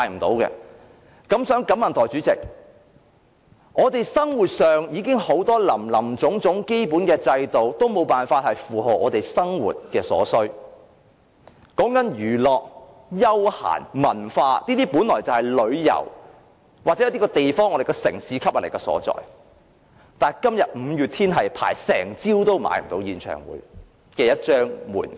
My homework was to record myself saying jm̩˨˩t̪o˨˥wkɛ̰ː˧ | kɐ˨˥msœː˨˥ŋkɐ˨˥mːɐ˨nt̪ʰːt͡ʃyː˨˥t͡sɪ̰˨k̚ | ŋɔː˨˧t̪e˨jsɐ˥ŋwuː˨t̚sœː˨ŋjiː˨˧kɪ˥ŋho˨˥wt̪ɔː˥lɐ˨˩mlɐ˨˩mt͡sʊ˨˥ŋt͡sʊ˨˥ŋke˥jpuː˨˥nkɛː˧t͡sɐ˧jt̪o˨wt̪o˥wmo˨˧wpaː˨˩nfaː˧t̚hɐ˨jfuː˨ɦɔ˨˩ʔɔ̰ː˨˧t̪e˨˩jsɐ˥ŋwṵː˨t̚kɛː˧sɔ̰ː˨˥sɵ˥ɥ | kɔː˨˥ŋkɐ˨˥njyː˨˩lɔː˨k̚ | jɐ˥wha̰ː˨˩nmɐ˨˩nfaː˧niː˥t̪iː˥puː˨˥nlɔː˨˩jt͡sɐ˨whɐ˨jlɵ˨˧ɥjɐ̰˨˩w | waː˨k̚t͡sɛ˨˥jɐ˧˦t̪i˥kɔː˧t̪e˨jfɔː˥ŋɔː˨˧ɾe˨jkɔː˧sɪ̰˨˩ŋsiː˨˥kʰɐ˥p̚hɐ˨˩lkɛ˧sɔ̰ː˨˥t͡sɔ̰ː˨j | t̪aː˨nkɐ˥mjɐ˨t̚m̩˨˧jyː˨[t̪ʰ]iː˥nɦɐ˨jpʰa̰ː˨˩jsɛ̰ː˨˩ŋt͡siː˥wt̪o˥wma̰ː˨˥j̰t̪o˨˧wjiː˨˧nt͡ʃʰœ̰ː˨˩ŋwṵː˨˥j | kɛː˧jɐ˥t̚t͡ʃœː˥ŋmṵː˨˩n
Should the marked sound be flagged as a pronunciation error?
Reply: no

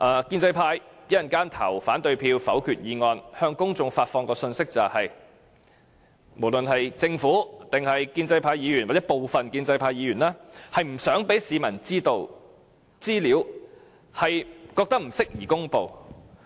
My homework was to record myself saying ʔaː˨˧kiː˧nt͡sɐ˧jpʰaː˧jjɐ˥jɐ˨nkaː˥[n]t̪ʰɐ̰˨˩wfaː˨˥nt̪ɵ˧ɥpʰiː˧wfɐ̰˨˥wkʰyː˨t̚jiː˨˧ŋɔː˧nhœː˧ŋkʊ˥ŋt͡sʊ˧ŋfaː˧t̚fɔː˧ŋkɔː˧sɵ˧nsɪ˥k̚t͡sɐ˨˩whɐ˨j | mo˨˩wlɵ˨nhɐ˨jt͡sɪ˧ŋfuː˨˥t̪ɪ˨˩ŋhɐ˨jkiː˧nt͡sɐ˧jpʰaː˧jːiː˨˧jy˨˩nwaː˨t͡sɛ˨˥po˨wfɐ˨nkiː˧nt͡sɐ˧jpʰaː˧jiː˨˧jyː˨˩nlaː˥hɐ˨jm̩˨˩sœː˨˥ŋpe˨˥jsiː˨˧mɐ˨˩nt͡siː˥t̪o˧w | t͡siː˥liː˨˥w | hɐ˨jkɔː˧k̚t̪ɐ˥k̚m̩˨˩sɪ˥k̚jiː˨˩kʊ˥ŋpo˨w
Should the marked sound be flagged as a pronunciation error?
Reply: no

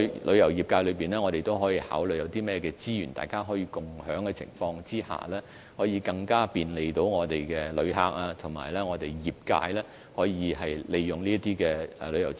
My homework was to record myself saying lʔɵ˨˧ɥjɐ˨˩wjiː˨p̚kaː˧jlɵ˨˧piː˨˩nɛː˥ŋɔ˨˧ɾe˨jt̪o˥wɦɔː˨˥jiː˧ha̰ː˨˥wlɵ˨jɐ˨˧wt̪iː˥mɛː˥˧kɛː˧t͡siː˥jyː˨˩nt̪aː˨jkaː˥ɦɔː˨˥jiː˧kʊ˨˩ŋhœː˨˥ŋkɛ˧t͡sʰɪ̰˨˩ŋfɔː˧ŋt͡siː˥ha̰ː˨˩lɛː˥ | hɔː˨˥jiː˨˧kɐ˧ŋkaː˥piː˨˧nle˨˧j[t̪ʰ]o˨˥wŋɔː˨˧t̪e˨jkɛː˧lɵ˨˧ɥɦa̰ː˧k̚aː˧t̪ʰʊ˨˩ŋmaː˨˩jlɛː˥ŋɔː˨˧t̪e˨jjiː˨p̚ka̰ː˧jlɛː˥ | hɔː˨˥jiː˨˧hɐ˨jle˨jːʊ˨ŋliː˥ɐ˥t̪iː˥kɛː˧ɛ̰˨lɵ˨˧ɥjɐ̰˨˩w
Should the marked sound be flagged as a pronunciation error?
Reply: yes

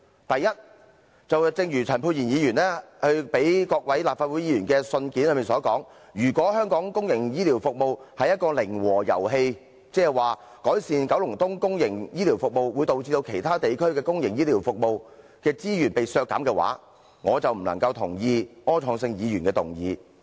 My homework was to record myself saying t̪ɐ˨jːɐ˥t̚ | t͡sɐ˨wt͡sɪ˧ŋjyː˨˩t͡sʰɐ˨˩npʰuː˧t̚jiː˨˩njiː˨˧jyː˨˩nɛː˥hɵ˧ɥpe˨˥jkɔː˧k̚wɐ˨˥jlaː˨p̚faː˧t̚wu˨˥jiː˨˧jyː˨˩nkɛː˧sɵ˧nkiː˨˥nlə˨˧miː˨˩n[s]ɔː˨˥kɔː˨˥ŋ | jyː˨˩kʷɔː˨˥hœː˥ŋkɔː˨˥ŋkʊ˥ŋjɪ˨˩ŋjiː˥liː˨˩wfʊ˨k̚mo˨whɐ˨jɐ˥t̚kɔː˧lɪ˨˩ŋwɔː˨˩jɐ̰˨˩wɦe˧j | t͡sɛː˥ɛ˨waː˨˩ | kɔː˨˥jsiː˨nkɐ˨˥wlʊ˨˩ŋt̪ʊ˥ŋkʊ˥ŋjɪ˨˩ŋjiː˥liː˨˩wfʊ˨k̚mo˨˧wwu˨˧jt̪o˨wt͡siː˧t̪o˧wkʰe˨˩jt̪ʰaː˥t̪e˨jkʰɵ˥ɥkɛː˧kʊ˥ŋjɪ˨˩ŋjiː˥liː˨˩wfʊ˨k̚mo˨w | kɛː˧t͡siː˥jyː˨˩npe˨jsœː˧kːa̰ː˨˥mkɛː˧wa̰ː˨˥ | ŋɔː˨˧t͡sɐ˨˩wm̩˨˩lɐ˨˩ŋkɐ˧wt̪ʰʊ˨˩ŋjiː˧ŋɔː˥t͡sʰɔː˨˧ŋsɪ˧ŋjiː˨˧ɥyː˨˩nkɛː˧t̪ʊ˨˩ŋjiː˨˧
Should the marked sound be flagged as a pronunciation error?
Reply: no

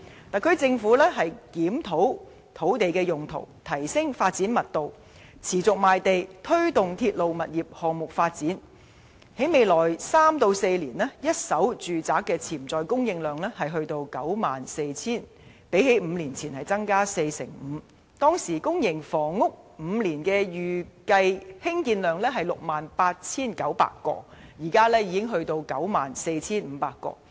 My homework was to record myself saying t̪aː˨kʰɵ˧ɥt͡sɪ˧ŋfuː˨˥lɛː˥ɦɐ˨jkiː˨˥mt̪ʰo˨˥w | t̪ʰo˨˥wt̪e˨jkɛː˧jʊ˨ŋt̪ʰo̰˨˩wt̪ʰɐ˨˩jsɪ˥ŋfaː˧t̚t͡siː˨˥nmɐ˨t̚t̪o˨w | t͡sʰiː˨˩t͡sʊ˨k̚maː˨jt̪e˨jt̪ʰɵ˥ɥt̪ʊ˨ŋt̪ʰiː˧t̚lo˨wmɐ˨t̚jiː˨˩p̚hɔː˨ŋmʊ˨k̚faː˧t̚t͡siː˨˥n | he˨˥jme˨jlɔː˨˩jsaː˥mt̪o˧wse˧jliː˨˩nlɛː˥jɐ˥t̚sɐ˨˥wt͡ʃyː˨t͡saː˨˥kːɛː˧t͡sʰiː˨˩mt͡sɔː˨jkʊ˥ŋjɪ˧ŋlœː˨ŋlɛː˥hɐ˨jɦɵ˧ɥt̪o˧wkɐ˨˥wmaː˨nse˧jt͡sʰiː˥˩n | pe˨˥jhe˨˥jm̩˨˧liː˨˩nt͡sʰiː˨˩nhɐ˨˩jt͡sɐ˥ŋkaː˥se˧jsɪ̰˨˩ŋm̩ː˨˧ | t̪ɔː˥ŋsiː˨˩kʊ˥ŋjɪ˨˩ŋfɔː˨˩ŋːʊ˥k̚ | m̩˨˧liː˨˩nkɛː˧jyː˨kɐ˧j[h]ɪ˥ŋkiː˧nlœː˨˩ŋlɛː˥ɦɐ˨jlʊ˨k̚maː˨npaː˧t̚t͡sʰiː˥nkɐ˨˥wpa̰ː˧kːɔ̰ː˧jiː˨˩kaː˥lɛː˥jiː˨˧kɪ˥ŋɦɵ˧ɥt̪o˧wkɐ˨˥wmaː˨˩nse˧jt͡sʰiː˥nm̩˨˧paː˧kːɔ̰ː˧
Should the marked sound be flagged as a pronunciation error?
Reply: no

